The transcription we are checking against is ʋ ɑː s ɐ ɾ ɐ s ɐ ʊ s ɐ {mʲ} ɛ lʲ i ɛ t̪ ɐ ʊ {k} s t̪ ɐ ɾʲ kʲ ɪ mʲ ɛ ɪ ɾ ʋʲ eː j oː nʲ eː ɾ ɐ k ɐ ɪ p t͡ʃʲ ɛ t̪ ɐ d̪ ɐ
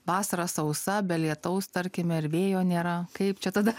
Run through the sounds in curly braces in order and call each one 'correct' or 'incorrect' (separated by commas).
incorrect, incorrect